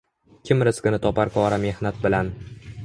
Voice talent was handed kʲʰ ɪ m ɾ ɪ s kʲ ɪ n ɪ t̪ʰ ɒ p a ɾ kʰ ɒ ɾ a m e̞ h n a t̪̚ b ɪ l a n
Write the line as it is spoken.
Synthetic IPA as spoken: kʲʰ ɪ m ɾ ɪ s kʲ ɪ n ɪ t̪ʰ ɒ p a ɾ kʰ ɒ ɾ a m e̞ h n a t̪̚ b ɪ l a n